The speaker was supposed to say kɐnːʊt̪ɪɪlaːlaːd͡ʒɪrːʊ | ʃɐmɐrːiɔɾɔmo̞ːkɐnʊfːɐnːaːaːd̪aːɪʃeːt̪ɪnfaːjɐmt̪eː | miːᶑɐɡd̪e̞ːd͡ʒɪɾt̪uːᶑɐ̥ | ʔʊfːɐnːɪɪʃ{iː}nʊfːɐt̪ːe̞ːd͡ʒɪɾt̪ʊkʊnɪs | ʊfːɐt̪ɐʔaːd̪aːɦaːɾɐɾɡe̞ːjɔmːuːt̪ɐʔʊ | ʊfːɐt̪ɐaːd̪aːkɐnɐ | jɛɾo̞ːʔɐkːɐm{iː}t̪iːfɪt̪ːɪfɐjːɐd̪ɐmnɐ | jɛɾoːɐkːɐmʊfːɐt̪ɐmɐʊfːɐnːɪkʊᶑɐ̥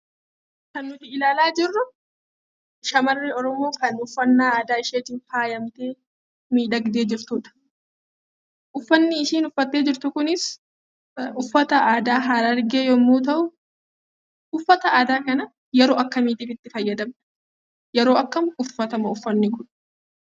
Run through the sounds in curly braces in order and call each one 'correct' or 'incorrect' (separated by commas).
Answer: correct, correct